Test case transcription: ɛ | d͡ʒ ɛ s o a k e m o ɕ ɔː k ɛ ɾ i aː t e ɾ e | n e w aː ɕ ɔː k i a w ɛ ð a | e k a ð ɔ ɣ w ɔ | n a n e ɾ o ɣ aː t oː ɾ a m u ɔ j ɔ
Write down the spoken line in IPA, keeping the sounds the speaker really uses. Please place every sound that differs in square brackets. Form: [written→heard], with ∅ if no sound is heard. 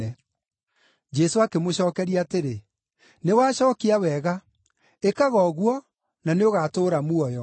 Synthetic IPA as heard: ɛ | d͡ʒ ɛ s o a k e m o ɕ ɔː k ɛ ɾ i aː t e ɾ e | n e w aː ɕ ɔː k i a w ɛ [ð→ɣ] a | e k a [ð→ɣ] ɔ ɣ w ɔ | n a n e [ɾ→∅] o ɣ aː t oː ɾ a m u ɔ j ɔ